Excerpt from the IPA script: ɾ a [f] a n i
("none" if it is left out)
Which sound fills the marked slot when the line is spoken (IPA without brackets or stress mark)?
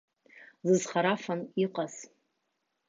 f